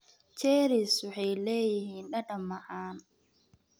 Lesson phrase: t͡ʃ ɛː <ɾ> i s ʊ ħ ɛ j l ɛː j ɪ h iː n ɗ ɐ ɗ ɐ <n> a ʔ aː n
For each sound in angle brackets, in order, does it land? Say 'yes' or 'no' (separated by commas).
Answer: yes, no